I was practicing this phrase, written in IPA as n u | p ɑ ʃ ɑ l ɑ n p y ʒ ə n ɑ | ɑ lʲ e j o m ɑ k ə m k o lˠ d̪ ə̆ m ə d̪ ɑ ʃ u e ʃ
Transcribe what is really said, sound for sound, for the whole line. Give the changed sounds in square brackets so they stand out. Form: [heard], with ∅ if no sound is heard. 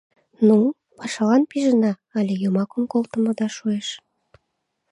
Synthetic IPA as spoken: n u | p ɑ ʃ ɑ l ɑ n p [i] ʒ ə n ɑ | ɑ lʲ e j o m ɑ k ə m k o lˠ [t̪] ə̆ m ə d̪ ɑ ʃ u e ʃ